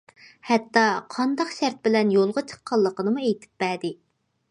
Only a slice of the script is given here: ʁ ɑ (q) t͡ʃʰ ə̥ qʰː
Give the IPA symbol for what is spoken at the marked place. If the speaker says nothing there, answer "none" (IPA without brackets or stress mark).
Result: none